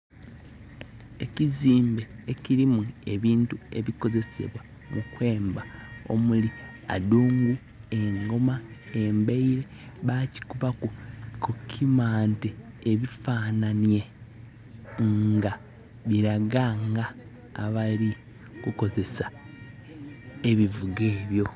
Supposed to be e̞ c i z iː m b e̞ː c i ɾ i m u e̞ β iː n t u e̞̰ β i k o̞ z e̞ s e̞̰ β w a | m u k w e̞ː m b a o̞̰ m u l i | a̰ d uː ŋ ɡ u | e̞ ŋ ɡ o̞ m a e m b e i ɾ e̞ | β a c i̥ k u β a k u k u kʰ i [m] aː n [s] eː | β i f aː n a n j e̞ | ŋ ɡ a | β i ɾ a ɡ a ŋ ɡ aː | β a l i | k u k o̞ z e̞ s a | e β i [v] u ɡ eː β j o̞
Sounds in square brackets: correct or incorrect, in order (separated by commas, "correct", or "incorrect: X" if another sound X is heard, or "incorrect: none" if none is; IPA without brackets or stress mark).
correct, incorrect: t, correct